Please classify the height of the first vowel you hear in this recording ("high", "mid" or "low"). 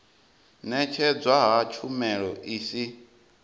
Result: mid